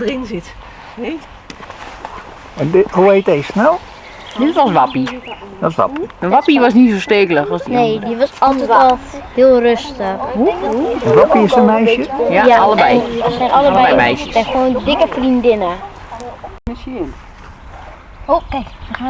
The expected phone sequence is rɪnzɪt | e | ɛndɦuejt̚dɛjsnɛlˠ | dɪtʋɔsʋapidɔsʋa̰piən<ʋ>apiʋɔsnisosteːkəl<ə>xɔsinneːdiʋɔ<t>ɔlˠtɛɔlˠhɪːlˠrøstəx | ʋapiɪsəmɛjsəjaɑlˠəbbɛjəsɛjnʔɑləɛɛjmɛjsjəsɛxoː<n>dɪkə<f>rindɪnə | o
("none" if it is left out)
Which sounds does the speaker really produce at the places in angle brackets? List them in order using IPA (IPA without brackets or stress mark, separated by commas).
ʋ, ə, s, n, f